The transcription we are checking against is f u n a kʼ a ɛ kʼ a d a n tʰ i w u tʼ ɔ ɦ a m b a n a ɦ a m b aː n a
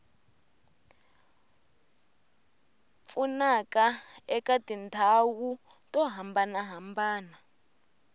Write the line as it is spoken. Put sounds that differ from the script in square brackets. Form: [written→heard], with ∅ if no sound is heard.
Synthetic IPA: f u n a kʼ a ɛ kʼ a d [a→i] n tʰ [i→a] w u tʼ ɔ ɦ a m b a n a ɦ a m b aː n a